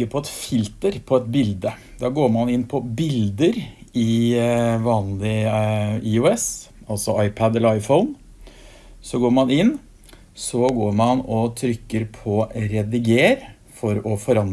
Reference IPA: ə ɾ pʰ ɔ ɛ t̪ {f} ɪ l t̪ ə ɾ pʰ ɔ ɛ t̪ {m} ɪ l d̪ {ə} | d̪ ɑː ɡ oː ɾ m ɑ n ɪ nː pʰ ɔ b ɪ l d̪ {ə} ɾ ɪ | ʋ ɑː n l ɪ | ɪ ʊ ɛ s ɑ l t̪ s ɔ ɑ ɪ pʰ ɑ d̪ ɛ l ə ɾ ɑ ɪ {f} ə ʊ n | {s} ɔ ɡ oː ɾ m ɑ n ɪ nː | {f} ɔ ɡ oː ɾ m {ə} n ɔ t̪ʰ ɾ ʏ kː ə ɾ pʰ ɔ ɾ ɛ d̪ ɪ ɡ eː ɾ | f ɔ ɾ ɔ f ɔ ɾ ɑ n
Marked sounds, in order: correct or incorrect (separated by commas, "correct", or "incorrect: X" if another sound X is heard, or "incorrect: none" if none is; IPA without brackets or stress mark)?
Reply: correct, incorrect: b, correct, correct, correct, correct, incorrect: s, incorrect: ɑ